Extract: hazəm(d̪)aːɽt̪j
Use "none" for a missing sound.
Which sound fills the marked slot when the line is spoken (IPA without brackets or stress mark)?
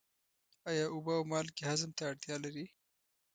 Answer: t̪